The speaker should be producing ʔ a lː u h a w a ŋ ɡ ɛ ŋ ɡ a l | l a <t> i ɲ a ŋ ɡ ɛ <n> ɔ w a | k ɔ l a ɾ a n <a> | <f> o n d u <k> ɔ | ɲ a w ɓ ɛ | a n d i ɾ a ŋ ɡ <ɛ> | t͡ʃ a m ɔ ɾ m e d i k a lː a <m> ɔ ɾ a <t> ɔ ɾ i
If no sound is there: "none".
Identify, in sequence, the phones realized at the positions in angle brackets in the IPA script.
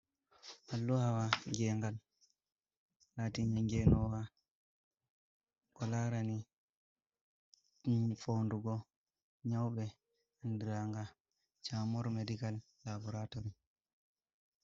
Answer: t, n, i, f, ɡ, a, b, t

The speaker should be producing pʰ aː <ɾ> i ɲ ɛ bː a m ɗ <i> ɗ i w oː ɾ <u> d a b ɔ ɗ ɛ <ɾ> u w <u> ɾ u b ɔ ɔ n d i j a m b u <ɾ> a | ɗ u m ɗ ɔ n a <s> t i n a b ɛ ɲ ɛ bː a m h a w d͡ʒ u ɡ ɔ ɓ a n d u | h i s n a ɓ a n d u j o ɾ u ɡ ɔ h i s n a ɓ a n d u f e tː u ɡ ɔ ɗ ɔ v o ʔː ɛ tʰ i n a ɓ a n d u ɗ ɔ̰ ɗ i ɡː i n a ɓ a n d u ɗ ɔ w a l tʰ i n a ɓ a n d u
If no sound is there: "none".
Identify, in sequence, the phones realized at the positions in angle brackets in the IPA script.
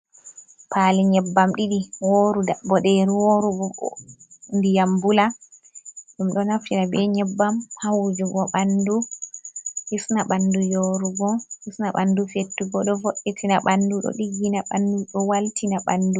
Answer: l, i, u, ɾ, o, l, f

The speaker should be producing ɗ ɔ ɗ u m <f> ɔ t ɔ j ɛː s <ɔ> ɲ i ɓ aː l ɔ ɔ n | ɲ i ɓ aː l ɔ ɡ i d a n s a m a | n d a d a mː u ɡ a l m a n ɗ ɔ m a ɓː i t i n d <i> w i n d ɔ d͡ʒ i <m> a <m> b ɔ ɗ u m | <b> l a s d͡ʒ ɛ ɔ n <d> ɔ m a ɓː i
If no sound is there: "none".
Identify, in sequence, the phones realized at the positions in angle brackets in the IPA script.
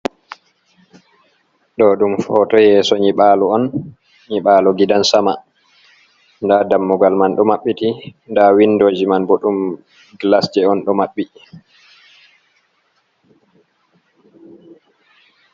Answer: f, ɔ, a, m, n, ɡ, ɗ

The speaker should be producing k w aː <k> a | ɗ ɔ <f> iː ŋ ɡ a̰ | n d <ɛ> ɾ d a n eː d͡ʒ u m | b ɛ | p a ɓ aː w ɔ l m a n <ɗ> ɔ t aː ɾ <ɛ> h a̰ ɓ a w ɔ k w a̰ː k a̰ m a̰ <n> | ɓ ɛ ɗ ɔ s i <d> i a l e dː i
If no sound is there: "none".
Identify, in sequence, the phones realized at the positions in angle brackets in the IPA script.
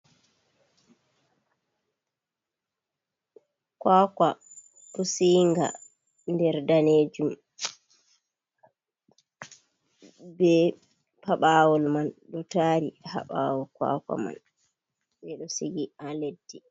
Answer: k, s, ɛ, ɗ, i, n, ɡ

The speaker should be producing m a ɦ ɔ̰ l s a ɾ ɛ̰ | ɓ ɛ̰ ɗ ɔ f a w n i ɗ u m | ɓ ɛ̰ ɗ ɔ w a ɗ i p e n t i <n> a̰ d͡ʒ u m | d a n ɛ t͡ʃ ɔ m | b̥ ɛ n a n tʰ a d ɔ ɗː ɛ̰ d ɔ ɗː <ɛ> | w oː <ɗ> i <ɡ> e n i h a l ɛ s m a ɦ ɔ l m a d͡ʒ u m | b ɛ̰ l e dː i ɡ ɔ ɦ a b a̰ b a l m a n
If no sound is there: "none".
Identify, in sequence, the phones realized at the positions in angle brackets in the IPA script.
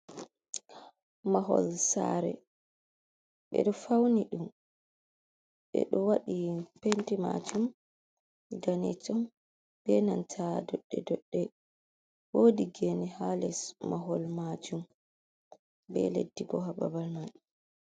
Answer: m, ɛ, d, ɡ

